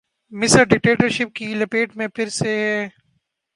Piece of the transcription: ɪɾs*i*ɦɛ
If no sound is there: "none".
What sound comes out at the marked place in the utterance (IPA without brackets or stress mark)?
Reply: e